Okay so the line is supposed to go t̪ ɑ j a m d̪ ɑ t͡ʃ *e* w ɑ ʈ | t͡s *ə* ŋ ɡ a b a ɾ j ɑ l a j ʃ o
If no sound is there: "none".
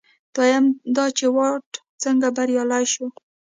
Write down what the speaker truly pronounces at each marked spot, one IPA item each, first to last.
e, ə

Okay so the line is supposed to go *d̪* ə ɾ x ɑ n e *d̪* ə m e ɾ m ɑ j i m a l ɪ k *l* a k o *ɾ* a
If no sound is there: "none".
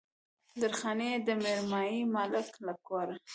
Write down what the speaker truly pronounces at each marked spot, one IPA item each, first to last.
d̪, d̪, l, ɾ

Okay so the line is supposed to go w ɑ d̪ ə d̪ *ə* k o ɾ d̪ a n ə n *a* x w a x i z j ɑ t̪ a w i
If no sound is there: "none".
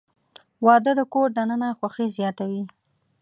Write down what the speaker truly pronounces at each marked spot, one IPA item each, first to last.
ə, a

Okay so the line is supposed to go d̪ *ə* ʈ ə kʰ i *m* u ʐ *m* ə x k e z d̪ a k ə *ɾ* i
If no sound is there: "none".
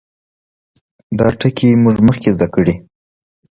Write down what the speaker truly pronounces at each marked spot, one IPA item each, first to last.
ɑ, m, m, ɽ

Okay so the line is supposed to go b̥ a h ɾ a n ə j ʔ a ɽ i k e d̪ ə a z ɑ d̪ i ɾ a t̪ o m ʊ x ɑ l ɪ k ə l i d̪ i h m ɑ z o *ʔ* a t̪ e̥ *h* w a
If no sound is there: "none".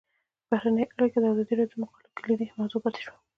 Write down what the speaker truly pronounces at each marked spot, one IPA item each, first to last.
p, ʃ

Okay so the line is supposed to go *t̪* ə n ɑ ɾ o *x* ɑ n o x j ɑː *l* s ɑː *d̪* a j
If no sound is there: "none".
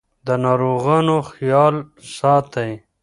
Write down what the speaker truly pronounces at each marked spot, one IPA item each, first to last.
d̪, ɣ, l, t̪

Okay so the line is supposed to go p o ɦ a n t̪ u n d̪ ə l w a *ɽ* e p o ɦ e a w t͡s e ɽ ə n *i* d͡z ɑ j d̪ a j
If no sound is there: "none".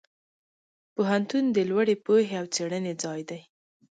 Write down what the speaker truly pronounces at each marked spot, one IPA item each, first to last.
ɽ, e

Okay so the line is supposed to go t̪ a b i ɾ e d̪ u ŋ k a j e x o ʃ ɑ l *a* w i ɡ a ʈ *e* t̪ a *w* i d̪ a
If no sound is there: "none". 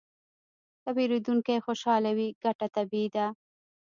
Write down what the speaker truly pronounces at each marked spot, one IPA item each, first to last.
a, a, b

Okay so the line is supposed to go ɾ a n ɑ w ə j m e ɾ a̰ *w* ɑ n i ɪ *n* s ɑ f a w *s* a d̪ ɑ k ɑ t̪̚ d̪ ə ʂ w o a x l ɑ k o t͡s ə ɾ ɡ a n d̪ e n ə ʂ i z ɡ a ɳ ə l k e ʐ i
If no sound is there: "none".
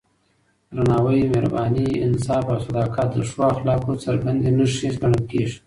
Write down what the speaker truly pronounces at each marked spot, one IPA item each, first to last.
b, n, s

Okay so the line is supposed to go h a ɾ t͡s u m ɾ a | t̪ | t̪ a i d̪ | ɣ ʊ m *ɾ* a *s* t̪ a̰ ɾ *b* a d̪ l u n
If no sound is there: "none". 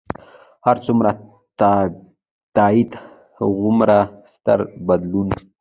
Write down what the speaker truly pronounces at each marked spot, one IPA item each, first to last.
ɾ, s, b

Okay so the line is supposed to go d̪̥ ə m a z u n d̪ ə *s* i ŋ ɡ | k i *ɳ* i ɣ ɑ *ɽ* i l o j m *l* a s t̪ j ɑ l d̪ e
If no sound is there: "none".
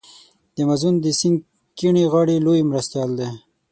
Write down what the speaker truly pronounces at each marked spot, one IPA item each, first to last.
s, ɳ, ɽ, ɾ

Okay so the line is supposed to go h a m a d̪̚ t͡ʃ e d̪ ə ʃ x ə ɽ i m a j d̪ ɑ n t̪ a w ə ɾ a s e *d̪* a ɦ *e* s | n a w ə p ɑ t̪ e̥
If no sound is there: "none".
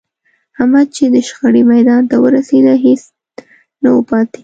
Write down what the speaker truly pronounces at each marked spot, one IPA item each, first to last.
d̪, e

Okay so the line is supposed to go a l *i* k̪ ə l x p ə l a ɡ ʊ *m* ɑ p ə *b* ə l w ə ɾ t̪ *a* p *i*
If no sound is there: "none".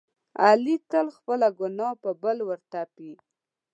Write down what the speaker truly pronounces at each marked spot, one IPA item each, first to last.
i, n, b, a, i

